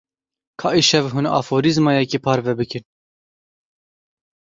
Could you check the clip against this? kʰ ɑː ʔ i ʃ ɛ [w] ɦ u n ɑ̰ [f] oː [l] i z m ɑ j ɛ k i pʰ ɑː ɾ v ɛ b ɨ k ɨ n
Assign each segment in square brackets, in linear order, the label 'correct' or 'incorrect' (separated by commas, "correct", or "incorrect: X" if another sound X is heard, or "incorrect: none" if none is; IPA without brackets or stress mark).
incorrect: v, correct, incorrect: ɾ